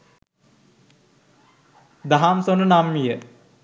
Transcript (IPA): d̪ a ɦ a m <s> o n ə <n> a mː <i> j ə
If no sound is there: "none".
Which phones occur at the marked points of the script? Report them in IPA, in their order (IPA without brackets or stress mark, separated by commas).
s, n, i